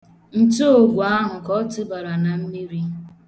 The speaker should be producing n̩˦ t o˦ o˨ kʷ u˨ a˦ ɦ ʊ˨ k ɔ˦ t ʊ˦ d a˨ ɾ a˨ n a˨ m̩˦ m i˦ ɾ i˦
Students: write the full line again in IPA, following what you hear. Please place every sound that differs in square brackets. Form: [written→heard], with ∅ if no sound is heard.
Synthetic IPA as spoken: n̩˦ t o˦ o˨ [kʷ→ɡʷ] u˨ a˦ ɦ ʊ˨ k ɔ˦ t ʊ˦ [d→b] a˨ ɾ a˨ n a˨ m̩˦ m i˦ ɾ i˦